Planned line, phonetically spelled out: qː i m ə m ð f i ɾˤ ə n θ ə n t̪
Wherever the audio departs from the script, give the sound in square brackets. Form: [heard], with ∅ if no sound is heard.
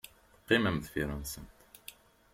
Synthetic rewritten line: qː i m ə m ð f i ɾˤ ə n [s] ə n t̪